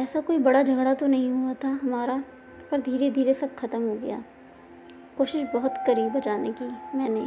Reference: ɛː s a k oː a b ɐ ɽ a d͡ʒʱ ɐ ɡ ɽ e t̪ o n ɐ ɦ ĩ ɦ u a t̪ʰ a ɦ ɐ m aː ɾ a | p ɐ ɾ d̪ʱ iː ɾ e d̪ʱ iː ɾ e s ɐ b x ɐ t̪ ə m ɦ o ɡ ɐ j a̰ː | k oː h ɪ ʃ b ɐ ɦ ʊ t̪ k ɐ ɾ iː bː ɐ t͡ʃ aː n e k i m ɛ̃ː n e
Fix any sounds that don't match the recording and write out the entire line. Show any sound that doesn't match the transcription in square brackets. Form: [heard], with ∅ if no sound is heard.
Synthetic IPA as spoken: ɛː s a k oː [i] b ɐ ɽ a d͡ʒʱ ɐ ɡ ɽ [a] t̪ o n ɐ ɦ ĩ ɦ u a t̪ʰ a ɦ ɐ m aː ɾ a | p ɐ ɾ d̪ʱ iː ɾ e d̪ʱ iː ɾ e s ɐ b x ɐ t̪ ə m ɦ o ɡ ɐ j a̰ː | k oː [ʃ] ɪ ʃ b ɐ ɦ ʊ t̪ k ɐ ɾ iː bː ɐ t͡ʃ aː n e k i m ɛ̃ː n e